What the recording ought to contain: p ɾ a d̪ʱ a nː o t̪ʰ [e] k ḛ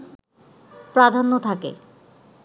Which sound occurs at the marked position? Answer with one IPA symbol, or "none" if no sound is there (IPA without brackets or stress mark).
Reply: a